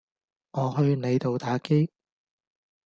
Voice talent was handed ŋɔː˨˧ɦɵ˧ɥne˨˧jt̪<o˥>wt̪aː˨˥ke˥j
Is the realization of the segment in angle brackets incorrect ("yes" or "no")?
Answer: yes